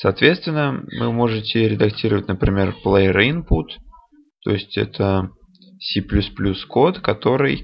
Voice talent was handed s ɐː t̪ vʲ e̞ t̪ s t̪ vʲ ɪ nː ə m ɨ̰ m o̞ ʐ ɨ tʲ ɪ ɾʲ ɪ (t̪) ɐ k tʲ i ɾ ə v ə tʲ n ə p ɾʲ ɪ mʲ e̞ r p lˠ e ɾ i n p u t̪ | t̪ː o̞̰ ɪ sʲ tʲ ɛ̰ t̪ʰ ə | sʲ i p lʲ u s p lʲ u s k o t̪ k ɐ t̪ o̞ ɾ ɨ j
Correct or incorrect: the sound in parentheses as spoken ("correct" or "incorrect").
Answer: incorrect